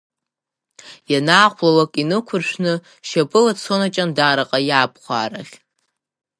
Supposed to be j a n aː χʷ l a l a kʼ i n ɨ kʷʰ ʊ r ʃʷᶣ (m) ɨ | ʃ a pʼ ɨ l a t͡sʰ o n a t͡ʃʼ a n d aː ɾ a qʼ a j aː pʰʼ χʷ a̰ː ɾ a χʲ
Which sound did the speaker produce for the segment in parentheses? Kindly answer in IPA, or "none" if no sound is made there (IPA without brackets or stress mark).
n